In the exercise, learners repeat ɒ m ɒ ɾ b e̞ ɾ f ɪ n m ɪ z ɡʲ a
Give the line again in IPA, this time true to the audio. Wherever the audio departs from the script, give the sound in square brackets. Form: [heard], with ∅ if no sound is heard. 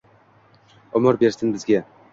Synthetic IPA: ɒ m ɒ ɾ b e̞ ɾ [s] ɪ n [b] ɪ z ɡʲ a